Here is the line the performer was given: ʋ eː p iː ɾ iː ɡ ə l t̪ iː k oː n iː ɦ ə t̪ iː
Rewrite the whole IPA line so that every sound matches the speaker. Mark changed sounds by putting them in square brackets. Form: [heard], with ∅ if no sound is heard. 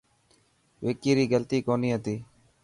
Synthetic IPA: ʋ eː [k] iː ɾ iː ɡ ə l t̪ iː k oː n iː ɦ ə t̪ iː